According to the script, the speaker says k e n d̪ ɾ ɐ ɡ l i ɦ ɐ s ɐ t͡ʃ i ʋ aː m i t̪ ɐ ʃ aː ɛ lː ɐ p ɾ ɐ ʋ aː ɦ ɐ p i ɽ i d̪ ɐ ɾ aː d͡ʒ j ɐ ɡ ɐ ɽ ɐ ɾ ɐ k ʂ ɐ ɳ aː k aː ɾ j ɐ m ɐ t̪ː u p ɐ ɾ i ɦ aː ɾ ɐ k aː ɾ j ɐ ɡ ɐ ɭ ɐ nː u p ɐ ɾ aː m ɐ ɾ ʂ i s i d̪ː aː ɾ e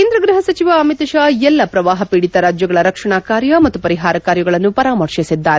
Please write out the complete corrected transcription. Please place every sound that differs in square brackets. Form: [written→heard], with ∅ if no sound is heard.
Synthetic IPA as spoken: k e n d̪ ɾ ɐ ɡ [l→ɾ] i ɦ ɐ s ɐ t͡ʃ i ʋ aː m i t̪ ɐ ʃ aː ɛ lː ɐ p ɾ ɐ ʋ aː ɦ ɐ p i ɽ i [d̪→t̪] ɐ ɾ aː d͡ʒ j ɐ ɡ ɐ [ɽ→ɭ] ɐ ɾ ɐ k ʂ ɐ ɳ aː k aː ɾ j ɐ m ɐ t̪ː u p ɐ ɾ i ɦ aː ɾ ɐ k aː ɾ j ɐ ɡ ɐ ɭ ɐ nː u p ɐ ɾ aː m ɐ ɾ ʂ i s i d̪ː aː ɾ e

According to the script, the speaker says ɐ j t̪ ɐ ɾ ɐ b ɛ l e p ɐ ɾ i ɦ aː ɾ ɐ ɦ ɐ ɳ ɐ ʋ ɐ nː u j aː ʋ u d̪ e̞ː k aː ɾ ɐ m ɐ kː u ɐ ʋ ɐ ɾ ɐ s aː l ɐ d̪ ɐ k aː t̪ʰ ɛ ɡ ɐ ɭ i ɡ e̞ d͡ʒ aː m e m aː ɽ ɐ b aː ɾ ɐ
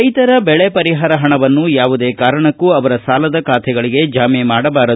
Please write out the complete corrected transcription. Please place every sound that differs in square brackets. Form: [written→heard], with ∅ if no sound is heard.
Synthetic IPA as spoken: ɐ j t̪ ɐ ɾ ɐ b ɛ [l→ɭ] e p ɐ ɾ i ɦ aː ɾ ɐ ɦ ɐ ɳ ɐ ʋ ɐ nː u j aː ʋ u d̪ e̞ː k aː ɾ ɐ [m→ɳ] ɐ kː u ɐ ʋ ɐ ɾ ɐ s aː l ɐ d̪ ɐ k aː t̪ʰ ɛ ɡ ɐ ɭ i ɡ e̞ d͡ʒ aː m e m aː ɽ ɐ b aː ɾ ɐ

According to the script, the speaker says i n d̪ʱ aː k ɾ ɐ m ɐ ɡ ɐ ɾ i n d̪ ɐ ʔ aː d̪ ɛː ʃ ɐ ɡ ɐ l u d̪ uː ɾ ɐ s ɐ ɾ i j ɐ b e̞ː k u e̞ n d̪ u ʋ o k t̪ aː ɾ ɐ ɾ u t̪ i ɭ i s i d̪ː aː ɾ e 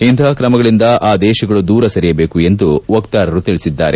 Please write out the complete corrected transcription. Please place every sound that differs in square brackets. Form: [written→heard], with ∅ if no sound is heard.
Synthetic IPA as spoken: i n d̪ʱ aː k ɾ ɐ m ɐ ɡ ɐ [ɾ→ɭ] i n d̪ ɐ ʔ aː d̪ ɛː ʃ ɐ ɡ ɐ [l→ɭ] u d̪ uː ɾ ɐ s ɐ ɾ i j ɐ b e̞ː k u e̞ n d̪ u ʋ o k t̪ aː ɾ ɐ ɾ u t̪ i ɭ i s i d̪ː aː ɾ e

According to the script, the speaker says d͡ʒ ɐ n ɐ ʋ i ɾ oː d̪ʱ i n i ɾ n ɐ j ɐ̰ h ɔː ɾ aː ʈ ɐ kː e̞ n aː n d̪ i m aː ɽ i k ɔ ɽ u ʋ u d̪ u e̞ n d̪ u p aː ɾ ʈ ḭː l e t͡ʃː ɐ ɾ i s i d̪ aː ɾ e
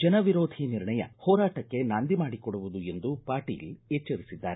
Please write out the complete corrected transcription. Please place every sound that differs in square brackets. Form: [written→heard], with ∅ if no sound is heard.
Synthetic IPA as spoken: d͡ʒ ɐ n ɐ ʋ i ɾ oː d̪ʱ i n i ɾ [n→ɳ] ɐ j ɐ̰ h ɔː ɾ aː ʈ ɐ kː e̞ n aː n d̪ i m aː ɽ i k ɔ ɽ u ʋ u d̪ u e̞ n d̪ u p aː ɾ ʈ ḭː l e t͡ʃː ɐ ɾ i s i [d̪→d̪ː] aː ɾ e

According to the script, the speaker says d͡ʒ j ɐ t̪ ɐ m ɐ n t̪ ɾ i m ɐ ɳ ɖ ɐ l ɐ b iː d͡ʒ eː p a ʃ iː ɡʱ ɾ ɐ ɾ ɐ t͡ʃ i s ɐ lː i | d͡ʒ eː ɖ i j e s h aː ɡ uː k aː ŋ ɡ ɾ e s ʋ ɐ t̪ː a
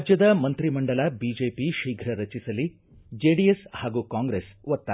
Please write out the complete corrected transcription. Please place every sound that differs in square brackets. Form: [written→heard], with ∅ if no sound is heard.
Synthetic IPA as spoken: d͡ʒ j ɐ [t̪→d̪] ɐ m ɐ n t̪ ɾ i m ɐ ɳ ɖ ɐ l ɐ b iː d͡ʒ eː p [a→i] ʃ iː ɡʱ ɾ ɐ ɾ ɐ t͡ʃ i s ɐ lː i | d͡ʒ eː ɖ i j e s h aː ɡ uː k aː ŋ ɡ ɾ e s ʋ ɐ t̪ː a

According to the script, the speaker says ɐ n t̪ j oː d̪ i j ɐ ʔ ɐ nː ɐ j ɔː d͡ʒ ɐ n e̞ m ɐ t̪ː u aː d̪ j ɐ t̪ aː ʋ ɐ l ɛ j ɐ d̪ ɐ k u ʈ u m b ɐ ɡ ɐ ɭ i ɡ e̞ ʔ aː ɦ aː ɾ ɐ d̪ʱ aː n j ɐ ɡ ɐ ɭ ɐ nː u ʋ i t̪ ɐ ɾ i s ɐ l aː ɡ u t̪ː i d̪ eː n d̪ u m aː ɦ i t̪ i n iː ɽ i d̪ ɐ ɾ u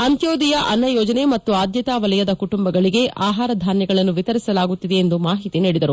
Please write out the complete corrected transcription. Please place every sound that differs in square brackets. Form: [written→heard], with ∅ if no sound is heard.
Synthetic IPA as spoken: ɐ n t̪ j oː d̪ i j ɐ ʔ ɐ nː ɐ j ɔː d͡ʒ ɐ n e̞ m ɐ t̪ː u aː d̪ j ɐ t̪ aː ʋ ɐ l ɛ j ɐ d̪ ɐ k u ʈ u m b ɐ ɡ ɐ ɭ i ɡ e̞ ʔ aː ɦ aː ɾ ɐ d̪ʱ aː n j ɐ ɡ ɐ ɭ ɐ nː u ʋ i t̪ ɐ ɾ i s ɐ l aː ɡ u t̪ː i d̪ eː n d̪ u m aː ɦ i t̪ i n iː ɽ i d̪ ɐ ɾ u

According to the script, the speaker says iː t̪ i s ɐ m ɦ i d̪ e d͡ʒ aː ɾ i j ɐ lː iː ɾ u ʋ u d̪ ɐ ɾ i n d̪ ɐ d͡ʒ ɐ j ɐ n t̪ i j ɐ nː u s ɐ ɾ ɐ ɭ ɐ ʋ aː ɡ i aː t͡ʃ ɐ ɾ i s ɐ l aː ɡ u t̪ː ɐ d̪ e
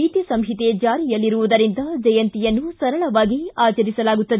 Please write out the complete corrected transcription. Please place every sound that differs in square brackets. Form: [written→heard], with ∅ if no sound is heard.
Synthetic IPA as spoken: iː t̪ i s ɐ m ɦ i [d̪→t̪] e d͡ʒ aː ɾ i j ɐ lː [iː→i] ɾ u ʋ u d̪ ɐ ɾ i n d̪ ɐ d͡ʒ ɐ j ɐ n t̪ i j ɐ nː u s ɐ ɾ ɐ ɭ ɐ ʋ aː ɡ i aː t͡ʃ ɐ ɾ i s ɐ l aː ɡ u t̪ː ɐ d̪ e

